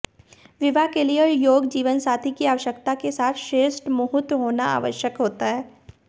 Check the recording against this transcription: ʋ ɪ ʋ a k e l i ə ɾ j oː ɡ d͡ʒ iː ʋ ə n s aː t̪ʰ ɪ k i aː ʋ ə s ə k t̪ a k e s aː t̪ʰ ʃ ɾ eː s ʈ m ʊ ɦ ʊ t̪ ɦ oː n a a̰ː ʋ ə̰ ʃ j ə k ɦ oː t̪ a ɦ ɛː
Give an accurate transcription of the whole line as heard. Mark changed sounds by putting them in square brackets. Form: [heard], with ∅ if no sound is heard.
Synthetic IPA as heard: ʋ ɪ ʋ a k e l i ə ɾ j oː ɡ d͡ʒ iː ʋ ə n s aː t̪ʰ [i] k i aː ʋ ə [ʃ] ə k t̪ a k e s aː t̪ʰ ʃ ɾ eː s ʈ m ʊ ɦ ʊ t̪ ɦ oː n a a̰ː ʋ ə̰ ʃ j ə k ɦ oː t̪ a ɦ ɛː